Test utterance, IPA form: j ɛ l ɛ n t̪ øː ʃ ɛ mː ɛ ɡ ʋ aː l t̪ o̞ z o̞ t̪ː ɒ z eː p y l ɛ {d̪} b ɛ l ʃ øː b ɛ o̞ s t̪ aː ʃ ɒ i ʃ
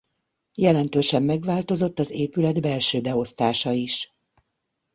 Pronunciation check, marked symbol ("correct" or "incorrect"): correct